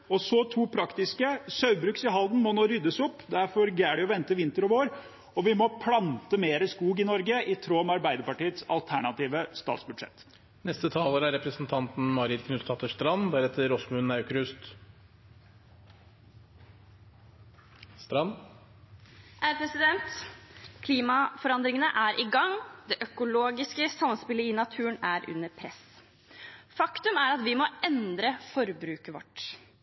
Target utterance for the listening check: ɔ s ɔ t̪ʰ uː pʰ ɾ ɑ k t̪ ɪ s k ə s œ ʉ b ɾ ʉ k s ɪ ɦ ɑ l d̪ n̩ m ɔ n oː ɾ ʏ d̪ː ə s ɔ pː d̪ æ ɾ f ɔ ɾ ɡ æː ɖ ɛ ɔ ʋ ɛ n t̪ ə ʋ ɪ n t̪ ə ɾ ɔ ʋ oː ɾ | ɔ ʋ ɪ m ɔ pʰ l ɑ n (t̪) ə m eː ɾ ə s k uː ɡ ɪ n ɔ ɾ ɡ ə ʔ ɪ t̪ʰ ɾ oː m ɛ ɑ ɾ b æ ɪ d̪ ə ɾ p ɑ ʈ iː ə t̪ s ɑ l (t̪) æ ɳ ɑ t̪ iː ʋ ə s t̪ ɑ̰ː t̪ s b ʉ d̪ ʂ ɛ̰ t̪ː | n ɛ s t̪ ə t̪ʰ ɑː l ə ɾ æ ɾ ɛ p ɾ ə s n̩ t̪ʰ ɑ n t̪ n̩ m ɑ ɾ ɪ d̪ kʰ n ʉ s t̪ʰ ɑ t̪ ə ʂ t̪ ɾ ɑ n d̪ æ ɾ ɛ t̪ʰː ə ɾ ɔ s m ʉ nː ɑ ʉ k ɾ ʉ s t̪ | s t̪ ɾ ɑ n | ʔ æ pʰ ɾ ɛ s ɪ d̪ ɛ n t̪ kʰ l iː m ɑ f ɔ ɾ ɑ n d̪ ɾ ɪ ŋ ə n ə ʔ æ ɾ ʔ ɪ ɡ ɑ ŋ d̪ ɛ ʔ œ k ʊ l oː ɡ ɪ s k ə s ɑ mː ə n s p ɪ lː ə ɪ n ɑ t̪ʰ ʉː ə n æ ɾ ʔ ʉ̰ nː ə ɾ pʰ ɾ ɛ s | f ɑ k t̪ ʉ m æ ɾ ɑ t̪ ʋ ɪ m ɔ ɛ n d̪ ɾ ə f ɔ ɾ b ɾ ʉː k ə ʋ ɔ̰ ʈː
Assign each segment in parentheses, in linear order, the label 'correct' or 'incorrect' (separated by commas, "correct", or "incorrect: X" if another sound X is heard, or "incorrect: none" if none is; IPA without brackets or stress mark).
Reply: correct, incorrect: t̪ʰ